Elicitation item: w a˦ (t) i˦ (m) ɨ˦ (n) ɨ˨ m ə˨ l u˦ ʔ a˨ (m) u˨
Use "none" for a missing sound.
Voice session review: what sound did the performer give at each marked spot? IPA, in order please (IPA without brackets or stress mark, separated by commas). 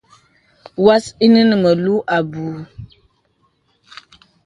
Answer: s, n, n, b